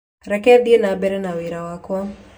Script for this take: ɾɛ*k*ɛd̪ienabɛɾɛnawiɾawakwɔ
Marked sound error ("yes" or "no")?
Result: no